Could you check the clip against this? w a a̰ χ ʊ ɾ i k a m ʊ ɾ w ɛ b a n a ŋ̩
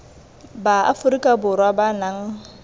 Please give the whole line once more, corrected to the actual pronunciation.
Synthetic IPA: b a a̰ f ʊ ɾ i kʼ a b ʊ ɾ w a b a n a ŋ̩